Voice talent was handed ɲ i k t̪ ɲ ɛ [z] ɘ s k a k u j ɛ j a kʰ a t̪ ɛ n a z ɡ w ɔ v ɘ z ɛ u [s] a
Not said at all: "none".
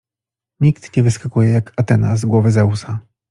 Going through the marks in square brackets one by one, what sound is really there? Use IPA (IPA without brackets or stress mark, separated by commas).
v, s